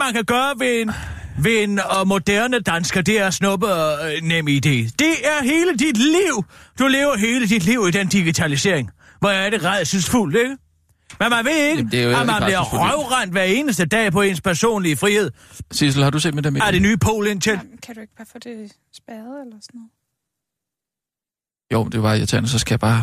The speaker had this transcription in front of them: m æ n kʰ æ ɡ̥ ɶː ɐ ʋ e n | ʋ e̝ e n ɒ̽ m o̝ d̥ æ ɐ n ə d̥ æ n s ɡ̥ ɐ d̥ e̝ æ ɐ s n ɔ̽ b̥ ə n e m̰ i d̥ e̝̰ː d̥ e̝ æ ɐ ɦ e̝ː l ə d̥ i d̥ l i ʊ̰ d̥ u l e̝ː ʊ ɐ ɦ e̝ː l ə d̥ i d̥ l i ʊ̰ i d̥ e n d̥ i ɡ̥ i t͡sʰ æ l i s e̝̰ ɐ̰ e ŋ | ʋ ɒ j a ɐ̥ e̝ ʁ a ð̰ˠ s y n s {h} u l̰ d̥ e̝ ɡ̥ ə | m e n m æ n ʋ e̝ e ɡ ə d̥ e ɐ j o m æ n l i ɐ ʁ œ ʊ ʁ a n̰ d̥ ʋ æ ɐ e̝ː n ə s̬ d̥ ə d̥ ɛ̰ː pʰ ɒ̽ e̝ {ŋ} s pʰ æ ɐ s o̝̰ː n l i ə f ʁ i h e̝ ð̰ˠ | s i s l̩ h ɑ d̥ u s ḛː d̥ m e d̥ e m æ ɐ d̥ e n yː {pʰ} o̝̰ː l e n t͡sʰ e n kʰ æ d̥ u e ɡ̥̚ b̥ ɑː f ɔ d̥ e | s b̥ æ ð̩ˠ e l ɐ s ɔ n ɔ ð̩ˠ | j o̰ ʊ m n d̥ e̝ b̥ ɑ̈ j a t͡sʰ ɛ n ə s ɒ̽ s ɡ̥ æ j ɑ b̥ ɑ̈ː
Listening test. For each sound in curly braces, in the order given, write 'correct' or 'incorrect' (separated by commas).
incorrect, incorrect, correct